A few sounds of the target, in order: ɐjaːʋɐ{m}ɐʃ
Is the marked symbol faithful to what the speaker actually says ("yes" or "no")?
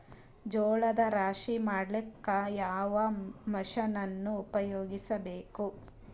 yes